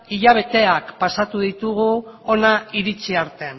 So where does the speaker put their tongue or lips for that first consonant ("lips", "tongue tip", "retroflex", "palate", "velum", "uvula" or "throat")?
palate